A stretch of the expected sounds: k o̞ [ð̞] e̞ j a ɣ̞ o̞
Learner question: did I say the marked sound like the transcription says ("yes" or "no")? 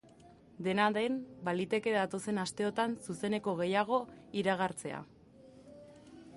no